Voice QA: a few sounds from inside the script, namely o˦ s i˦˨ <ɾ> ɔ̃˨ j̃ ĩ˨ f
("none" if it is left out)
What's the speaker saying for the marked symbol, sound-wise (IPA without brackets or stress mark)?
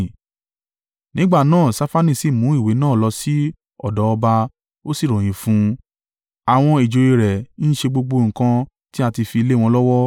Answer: ɾ